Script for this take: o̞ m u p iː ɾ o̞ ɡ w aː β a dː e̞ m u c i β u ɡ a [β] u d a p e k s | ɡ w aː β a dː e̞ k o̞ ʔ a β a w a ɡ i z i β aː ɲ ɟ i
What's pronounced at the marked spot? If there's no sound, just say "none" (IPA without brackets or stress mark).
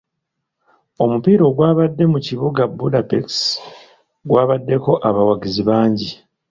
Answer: b